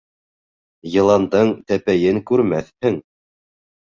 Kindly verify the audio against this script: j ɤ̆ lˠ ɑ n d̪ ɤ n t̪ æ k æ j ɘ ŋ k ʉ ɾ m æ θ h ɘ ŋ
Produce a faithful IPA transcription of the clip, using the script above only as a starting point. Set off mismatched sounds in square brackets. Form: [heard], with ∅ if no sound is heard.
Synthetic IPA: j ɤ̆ lˠ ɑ n d̪ ɤ [ɴ] t̪ æ [p] æ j ɘ ŋ k ʉ ɾ m æ θ h ɘ ŋ